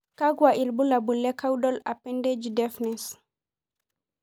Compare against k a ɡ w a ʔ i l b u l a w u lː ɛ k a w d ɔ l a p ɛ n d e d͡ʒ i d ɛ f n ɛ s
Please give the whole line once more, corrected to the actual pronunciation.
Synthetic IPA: k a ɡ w a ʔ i l b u l a b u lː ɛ k a w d ɔ l a p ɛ n d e d͡ʒ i d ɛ f n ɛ s